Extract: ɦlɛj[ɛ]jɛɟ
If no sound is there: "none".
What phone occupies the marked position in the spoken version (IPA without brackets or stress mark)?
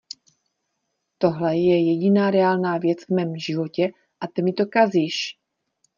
ɛ